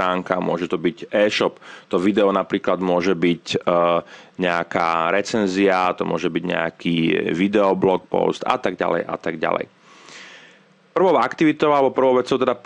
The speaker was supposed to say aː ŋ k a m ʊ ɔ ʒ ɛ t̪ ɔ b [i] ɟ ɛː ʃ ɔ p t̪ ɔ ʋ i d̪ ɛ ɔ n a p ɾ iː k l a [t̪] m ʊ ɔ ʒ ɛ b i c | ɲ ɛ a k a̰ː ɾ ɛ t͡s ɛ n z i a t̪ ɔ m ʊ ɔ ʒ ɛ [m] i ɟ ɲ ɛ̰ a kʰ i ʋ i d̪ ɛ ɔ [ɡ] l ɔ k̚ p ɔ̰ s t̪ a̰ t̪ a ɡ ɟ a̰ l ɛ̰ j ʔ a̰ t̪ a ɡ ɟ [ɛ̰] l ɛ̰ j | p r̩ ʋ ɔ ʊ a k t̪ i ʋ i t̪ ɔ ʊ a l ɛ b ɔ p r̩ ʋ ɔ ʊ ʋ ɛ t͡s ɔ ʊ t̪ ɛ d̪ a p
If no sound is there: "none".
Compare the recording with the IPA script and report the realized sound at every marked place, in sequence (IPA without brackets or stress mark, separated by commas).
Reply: i, d̪, b, b, a̰